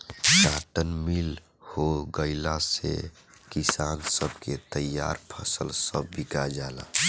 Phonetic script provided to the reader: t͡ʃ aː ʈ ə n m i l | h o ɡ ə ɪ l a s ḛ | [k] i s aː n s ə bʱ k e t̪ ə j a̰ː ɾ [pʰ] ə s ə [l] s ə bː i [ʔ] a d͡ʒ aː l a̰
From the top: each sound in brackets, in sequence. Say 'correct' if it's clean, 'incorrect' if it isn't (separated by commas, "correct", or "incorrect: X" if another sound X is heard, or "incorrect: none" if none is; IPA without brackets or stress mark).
correct, correct, correct, incorrect: k